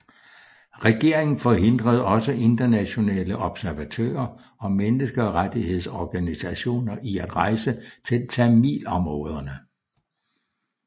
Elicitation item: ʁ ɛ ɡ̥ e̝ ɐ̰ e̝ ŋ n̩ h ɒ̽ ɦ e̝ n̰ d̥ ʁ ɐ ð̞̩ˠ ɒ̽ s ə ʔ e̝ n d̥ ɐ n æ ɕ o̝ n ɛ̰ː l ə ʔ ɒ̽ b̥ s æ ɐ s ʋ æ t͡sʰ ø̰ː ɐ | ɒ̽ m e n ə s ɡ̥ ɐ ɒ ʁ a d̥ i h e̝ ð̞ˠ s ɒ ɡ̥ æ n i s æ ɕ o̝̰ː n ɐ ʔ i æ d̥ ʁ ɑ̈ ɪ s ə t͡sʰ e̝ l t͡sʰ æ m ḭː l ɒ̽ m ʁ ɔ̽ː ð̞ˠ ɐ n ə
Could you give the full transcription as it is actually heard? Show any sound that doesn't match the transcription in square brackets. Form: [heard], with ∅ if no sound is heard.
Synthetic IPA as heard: ʁ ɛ ɡ̥ e̝ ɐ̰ e̝ ŋ n̩ [f] ɒ̽ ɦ e̝ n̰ d̥ ʁ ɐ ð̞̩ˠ ɒ̽ s ə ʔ e̝ n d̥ ɐ n æ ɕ o̝ n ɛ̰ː l ə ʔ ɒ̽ b̥ s æ ɐ [∅] ʋ æ t͡sʰ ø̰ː ɐ | ɒ̽ m e n ə s ɡ̥ ɐ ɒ ʁ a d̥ i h e̝ ð̞ˠ s ɒ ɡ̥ æ n i s æ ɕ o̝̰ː n ɐ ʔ i æ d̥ ʁ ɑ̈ ɪ s ə t͡sʰ e̝ l t͡sʰ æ m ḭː l ɒ̽ m ʁ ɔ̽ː ð̞ˠ ɐ n ə